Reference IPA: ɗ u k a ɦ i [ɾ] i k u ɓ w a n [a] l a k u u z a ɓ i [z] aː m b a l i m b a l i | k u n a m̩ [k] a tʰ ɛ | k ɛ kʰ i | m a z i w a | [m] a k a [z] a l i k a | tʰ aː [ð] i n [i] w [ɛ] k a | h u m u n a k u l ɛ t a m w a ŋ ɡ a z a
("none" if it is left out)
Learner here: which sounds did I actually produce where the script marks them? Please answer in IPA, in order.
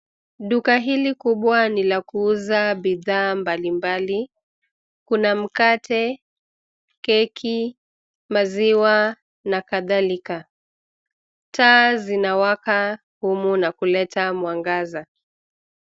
l, i, ð, k, n, ð, z, a, a

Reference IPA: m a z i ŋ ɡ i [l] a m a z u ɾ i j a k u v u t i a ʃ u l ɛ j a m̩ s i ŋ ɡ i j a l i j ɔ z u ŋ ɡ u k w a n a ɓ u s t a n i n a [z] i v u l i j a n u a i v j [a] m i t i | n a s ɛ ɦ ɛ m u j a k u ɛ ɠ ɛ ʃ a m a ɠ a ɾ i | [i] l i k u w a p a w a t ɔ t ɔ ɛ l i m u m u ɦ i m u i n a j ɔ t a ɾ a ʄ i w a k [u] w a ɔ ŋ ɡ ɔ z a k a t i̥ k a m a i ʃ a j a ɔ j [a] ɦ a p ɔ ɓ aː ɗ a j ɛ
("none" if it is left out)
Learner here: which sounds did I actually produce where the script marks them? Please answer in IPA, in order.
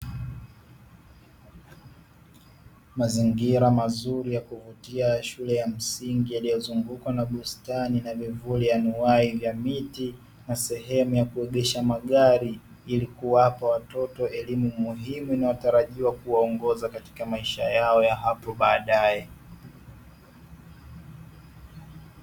ɾ, v, a, i, u, a

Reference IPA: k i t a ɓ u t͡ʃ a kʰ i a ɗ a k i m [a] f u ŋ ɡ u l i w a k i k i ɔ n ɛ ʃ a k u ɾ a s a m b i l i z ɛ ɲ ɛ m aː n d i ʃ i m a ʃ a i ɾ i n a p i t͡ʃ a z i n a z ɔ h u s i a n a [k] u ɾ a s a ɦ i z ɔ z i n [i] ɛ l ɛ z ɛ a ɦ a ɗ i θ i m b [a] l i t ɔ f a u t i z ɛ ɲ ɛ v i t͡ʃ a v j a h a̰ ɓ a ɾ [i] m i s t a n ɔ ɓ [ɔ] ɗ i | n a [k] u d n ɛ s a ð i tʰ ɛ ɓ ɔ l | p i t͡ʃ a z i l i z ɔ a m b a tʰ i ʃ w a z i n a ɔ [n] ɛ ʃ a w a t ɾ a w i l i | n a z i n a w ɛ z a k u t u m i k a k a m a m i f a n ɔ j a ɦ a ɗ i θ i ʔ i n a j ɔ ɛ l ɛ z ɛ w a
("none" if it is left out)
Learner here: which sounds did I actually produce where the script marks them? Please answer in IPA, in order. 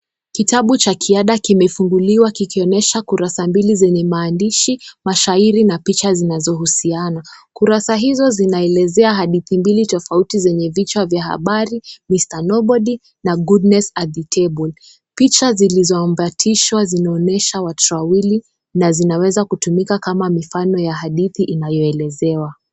ɛ, k, a, i, i, ɔ, ɡ, n

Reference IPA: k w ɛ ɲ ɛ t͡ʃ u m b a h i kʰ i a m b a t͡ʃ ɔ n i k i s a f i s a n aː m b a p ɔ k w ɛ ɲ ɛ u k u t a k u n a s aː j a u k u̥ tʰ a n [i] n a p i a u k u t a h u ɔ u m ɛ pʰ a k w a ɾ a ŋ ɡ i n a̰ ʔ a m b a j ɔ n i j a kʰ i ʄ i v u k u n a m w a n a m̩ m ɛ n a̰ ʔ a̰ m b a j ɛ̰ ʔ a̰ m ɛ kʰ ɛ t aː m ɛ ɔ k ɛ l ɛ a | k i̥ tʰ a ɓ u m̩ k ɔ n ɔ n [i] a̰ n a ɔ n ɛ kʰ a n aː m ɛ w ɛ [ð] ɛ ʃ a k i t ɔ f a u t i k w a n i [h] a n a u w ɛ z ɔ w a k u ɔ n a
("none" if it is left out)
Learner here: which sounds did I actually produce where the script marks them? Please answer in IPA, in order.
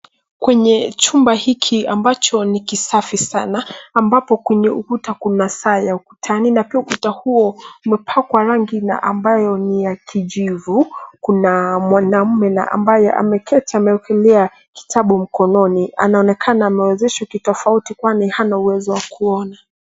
i, i, z, h

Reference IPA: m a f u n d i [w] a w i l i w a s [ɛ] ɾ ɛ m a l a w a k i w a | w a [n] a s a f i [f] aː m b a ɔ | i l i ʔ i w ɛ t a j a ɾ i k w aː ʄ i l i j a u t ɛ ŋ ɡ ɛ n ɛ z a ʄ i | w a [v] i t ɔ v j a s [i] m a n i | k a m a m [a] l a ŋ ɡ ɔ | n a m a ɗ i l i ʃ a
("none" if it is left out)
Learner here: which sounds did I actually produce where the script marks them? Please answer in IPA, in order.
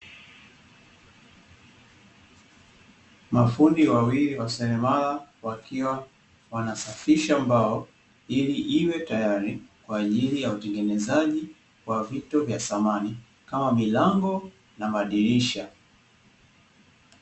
w, ɛ, n, ʃ, v, a, i

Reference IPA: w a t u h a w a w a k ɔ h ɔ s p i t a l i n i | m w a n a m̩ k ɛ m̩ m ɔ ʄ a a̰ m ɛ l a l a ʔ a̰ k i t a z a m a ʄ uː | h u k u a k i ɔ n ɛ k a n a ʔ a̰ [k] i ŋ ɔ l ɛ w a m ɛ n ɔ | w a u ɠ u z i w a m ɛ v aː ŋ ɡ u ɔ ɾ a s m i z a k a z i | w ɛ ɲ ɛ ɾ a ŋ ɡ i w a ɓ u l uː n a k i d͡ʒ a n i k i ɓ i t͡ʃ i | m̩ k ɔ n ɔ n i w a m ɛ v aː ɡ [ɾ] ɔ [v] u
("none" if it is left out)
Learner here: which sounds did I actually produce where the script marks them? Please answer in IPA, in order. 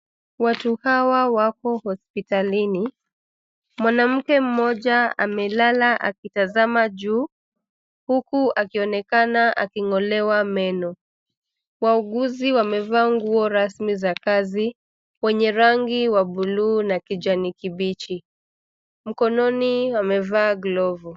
k, l, v

